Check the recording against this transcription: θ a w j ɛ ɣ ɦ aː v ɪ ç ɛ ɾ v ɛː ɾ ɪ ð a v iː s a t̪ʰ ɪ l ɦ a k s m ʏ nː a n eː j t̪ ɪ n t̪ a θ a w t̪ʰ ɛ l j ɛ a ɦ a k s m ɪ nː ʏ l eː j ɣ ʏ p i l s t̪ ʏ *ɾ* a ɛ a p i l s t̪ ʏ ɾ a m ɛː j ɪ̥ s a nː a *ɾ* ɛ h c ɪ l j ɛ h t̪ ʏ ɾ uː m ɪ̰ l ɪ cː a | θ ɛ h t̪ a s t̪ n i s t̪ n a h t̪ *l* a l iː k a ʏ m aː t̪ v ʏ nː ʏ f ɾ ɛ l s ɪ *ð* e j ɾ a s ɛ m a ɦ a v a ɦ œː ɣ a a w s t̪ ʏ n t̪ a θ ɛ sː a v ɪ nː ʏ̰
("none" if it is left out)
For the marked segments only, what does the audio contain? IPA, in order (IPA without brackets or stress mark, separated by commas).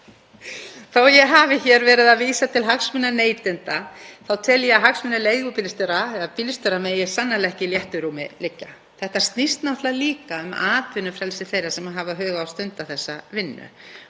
ɾ, l, l, θ